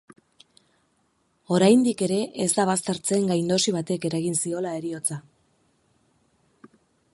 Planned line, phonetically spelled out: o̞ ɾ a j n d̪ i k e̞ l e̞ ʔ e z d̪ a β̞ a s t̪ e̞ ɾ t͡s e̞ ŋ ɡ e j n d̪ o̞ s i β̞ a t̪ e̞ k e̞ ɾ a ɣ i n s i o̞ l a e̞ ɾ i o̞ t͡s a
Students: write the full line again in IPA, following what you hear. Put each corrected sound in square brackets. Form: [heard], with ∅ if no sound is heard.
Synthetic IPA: o̞ ɾ a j n d̪ i k e̞ [ɾ] e̞ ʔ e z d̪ a β̞ a s t̪ e̞ ɾ t͡s e̞ ŋ ɡ [a] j n d̪ o̞ s i β̞ a t̪ e̞ k e̞ ɾ a ɣ i n s i o̞ l a e̞ ɾ i o̞ t͡s a